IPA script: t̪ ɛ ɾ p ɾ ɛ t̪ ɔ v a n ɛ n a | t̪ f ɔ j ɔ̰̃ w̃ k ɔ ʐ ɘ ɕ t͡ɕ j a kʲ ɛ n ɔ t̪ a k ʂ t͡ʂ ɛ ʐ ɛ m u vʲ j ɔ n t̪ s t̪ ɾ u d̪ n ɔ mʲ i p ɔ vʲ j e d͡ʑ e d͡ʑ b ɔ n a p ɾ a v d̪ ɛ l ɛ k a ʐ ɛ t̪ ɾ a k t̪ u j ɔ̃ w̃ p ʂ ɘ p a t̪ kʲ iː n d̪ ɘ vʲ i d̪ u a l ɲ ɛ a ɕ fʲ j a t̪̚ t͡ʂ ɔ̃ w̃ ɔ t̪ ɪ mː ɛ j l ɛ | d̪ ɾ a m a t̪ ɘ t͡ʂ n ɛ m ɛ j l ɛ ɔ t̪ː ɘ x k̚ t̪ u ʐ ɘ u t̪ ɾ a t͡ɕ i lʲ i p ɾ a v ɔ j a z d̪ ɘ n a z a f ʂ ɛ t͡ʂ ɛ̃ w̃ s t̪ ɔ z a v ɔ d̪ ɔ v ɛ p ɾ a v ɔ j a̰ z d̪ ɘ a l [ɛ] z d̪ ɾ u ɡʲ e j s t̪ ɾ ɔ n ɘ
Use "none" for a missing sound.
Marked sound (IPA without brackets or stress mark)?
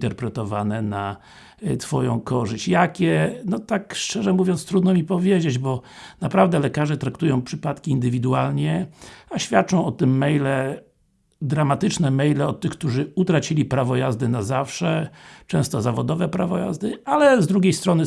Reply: ɛ